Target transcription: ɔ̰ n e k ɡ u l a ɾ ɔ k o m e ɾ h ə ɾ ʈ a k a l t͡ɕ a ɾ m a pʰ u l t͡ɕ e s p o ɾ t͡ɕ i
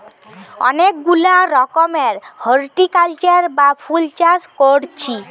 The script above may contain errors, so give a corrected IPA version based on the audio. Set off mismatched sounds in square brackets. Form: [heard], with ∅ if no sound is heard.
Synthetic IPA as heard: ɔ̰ n e k ɡ u l a ɾ ɔ k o m e ɾ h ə ɾ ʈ [i] k a l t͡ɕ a ɾ [b] a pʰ u l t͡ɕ [a] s [k] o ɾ [t͡ɕʰ] i

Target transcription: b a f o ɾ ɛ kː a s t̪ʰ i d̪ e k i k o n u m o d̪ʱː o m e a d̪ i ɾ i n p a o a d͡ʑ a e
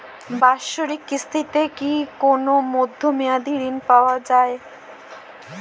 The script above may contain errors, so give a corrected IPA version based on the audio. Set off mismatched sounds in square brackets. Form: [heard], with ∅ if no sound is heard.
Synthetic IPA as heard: b a [ʃ] o ɾ [i] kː [i] s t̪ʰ i [t̪] e k i k o n [o] m o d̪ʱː o m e a d̪ i ɾ i n p a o a d͡ʑ a e

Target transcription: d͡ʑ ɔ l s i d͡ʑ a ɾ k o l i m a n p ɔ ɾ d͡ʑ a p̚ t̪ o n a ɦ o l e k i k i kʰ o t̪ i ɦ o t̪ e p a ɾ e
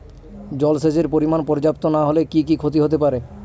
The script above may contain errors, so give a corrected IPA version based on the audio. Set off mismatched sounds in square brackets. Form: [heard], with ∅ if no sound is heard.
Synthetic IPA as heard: d͡ʑ ɔ l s [e] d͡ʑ [e] ɾ [p] o [ɾ] i m a n p ɔ ɾ d͡ʑ a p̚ t̪ o n a ɦ o l e k i k i kʰ o t̪ i ɦ o t̪ e p a ɾ e

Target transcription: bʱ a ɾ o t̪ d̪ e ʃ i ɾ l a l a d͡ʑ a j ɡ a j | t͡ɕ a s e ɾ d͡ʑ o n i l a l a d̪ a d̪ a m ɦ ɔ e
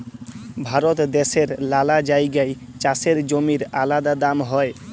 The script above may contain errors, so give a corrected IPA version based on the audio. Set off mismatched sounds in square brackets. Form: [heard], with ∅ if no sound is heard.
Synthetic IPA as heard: bʱ a ɾ o t̪ d̪ e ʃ [e] ɾ l a l a d͡ʑ a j ɡ a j | t͡ɕ a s e ɾ d͡ʑ o [m] i [ɾ] a l a d̪ a d̪ a m ɦ ɔ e

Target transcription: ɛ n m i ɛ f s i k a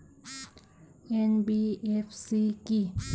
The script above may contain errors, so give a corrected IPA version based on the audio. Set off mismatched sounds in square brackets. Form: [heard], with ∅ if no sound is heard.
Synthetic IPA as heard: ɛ n [b] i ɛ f s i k [i]

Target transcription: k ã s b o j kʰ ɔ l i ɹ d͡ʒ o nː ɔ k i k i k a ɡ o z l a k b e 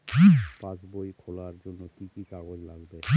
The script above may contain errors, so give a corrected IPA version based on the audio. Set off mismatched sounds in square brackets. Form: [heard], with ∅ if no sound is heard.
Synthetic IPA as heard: [p] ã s b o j kʰ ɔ l [a] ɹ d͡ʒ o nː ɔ k i k i k a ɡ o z l a [ɡ] b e

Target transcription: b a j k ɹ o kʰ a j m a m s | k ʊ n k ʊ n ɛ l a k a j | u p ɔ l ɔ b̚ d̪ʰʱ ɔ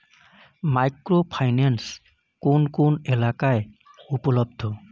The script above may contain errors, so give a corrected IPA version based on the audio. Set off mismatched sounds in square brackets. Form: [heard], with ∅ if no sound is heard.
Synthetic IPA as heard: [m] a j k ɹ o [pʰ] a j [n] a [n] s | k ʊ n k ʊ n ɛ l a k a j | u p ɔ l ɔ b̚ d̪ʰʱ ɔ

